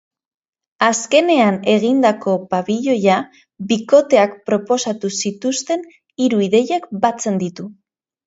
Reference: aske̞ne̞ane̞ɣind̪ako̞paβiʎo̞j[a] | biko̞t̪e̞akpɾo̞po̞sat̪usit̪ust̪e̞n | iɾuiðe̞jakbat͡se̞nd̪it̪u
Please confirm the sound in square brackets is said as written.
yes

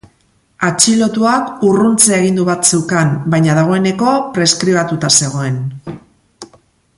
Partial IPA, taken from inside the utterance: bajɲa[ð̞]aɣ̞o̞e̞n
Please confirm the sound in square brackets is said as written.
yes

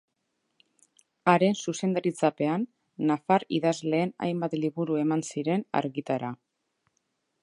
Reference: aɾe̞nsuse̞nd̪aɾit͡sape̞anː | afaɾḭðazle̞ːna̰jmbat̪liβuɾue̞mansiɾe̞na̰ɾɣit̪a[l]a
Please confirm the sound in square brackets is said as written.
no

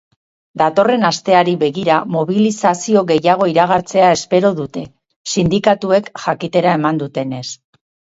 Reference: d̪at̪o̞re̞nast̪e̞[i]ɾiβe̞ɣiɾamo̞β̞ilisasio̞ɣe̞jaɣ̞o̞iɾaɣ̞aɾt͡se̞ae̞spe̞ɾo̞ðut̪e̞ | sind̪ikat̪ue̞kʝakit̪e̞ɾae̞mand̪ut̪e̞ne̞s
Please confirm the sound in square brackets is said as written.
no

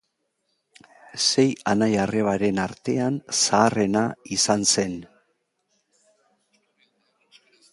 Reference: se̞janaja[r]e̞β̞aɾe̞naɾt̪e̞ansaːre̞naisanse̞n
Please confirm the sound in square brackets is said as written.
yes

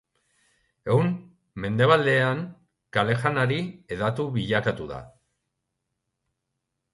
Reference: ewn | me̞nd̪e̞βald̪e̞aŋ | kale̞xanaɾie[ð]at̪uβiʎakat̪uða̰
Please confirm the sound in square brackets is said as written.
yes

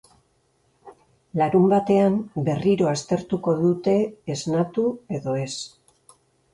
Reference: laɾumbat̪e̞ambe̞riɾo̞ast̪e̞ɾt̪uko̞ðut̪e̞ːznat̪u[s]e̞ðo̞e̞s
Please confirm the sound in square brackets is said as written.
no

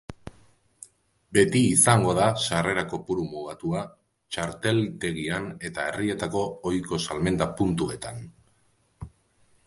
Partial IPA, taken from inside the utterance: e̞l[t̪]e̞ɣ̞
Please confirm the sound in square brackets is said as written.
yes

